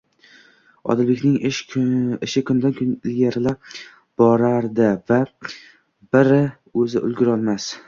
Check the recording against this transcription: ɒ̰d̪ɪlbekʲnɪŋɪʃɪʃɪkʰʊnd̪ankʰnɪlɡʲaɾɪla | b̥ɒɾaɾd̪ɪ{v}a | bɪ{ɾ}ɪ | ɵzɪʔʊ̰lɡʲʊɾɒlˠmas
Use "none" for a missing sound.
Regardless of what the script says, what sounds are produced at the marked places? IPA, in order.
v, ɾ

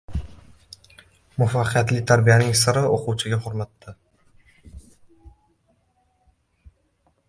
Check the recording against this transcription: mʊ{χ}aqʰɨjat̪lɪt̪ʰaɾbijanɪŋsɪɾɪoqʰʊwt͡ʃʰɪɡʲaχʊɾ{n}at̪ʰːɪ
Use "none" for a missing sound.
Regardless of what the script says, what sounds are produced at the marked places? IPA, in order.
f, m

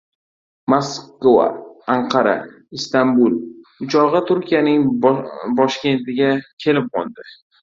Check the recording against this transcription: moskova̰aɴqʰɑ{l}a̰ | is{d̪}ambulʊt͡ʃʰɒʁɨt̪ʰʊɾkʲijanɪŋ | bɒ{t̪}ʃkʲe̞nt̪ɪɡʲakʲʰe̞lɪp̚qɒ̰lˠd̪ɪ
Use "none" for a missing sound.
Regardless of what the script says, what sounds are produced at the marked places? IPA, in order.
ɾ, t̪, none

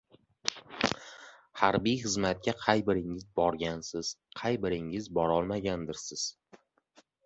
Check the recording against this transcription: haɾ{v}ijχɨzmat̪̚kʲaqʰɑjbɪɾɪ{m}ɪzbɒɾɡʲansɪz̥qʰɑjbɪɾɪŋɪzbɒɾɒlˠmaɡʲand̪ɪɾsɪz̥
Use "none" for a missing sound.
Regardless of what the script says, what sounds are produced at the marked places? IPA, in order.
b, ŋ

